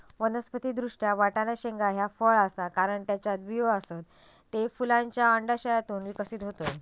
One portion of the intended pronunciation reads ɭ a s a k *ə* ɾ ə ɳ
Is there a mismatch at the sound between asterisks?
yes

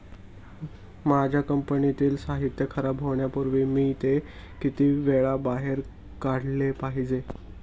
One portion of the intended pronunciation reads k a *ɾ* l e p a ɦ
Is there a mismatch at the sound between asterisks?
yes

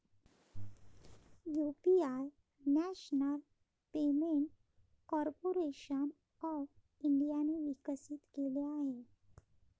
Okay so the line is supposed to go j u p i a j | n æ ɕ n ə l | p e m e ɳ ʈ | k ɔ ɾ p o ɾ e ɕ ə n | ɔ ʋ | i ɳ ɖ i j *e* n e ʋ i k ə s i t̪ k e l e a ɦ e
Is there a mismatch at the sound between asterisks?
yes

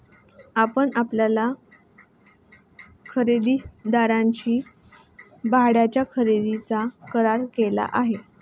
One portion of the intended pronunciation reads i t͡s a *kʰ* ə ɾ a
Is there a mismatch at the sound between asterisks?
yes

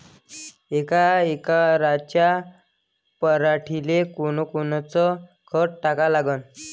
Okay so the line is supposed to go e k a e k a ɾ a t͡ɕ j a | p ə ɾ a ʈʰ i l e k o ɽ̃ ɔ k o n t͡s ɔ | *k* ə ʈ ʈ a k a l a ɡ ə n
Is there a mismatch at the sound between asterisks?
yes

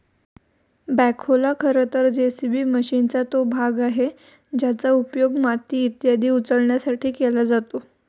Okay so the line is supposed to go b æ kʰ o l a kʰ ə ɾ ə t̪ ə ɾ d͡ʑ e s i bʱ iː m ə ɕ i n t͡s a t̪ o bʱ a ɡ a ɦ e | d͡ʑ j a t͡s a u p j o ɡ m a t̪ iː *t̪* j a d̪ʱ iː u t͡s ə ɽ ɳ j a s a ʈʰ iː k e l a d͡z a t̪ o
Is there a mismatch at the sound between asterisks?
no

